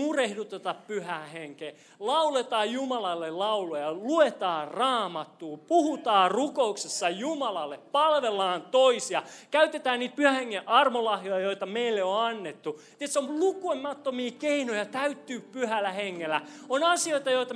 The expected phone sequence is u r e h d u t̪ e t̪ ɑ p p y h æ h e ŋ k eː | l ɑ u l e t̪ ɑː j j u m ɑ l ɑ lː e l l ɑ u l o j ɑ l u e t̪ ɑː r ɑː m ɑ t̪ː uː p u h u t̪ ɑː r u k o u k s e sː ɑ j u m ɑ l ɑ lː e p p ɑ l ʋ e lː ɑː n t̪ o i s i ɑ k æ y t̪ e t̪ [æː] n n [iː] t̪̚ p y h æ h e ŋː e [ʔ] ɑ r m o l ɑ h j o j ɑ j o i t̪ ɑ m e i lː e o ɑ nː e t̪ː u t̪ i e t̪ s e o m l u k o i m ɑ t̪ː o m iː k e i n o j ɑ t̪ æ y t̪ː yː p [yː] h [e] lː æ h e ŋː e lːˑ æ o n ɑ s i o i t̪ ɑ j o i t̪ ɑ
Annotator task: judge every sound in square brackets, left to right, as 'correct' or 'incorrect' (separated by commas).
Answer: correct, correct, correct, incorrect, incorrect